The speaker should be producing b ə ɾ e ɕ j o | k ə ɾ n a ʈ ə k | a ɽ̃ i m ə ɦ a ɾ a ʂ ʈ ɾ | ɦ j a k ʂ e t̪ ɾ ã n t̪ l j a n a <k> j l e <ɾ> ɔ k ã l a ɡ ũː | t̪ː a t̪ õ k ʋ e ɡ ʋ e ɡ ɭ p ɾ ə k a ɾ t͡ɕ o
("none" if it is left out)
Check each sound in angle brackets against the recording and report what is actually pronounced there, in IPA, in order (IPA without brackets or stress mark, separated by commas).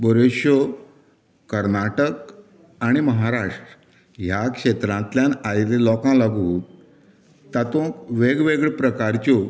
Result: none, l